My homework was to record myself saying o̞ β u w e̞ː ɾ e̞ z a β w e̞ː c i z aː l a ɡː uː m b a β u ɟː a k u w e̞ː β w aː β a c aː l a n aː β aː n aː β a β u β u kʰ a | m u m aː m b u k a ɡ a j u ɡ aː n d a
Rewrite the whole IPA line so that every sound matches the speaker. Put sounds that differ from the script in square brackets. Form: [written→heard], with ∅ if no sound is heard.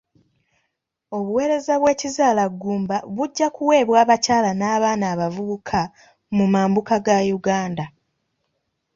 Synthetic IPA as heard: o̞ β u w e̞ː ɾ e̞ z a β w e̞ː c i z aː l a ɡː uː m b a β u ɟː a k u w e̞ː β w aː β a c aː l a n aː β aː n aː β a [β→v] u β u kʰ a | m u m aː m b u k a ɡ a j u ɡ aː n d a